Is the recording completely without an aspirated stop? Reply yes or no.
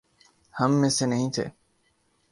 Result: no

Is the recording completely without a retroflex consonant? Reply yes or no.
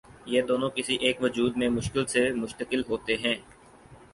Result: yes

